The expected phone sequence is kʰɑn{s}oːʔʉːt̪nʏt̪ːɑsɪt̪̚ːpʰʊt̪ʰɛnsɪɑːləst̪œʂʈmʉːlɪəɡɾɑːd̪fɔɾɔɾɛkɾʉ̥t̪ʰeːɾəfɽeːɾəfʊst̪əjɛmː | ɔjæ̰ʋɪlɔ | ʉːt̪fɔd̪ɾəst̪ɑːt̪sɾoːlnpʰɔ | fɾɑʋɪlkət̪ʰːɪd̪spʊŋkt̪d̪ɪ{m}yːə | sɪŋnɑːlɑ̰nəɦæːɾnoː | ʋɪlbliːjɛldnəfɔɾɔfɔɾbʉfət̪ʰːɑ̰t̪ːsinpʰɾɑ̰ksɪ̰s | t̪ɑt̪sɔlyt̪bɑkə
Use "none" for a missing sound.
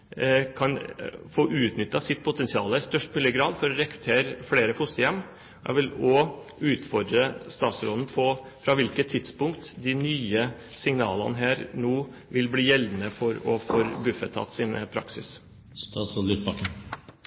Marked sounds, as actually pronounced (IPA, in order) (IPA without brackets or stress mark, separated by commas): f, n